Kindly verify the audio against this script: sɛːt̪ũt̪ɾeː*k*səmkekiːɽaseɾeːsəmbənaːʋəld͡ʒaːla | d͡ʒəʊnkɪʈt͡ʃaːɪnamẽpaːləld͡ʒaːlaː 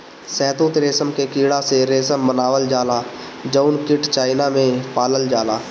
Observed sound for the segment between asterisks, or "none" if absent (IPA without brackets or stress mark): none